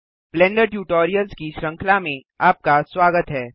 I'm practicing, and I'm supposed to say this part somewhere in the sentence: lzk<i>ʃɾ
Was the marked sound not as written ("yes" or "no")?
no